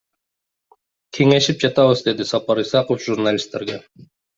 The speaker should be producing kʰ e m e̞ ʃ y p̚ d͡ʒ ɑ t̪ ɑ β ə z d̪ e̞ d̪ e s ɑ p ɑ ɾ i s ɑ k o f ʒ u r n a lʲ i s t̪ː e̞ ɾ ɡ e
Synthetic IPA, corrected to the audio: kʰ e ŋ e̞ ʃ i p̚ d͡ʒ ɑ t̪ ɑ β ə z d̪ e̞ d̪ i s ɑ p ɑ ɾ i s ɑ q o f ʒ u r n a lʲ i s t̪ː e̞ ɾ ɡ e